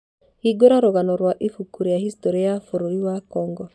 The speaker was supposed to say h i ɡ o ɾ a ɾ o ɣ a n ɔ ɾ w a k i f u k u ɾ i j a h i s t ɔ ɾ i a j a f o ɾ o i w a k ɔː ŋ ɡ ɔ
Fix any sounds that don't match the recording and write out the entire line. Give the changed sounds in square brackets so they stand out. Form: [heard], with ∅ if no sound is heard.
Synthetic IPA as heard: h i ɡ o ɾ a ɾ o ɣ a n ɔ ɾ w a [ʔ] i f u k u ɾ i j a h i s t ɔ ɾ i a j a f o ɾ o i w a k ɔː ŋ ɡ ɔ